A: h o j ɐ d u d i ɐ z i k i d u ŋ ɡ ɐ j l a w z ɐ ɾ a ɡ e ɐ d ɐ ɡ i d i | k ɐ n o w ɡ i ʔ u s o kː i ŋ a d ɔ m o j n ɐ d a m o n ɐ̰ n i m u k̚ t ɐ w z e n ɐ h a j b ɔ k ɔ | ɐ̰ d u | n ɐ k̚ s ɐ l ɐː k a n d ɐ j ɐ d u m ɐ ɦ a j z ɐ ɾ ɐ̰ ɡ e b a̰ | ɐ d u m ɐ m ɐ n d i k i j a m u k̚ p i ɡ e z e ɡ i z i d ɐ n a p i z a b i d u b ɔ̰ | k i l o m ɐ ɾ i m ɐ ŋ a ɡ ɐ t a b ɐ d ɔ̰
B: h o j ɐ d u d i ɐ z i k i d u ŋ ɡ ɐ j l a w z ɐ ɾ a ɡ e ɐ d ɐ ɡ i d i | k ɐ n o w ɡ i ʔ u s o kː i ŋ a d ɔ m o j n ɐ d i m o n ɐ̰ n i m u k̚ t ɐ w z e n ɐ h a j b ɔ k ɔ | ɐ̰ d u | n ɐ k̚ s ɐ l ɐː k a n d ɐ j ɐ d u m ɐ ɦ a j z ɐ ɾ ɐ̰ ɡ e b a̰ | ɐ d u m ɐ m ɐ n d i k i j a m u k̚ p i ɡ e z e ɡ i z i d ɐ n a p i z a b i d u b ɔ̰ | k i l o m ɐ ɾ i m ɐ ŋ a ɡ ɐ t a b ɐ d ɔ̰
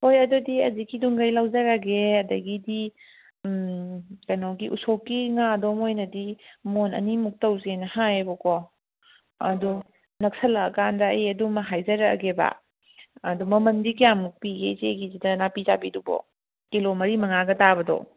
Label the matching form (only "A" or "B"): B